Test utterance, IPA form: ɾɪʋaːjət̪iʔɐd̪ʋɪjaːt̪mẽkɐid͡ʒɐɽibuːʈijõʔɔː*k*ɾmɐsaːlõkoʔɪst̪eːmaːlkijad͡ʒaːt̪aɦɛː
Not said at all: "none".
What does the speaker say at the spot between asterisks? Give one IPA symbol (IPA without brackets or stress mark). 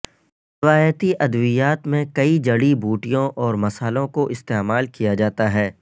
none